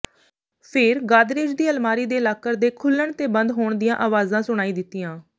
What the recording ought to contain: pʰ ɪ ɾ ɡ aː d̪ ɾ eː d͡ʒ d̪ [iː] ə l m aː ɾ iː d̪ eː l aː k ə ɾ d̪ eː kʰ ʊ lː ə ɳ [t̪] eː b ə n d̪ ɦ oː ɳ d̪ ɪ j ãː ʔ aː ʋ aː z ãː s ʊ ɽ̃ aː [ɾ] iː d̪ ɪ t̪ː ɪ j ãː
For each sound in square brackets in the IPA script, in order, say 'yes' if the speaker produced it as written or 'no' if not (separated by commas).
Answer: yes, yes, no